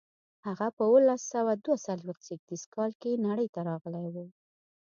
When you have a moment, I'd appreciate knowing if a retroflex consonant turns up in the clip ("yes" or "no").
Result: yes